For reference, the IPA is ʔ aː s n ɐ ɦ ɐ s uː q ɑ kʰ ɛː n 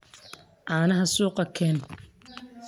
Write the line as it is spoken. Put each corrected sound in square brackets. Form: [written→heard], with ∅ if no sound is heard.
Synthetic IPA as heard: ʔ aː [s→∅] n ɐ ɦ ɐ s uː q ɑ kʰ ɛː n